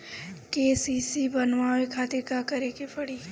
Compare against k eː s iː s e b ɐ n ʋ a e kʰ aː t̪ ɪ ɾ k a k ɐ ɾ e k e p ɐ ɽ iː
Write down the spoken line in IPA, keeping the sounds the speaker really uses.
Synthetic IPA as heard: k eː s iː s i b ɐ n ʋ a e kʰ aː t̪ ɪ ɾ k a k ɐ ɾ e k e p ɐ ɽ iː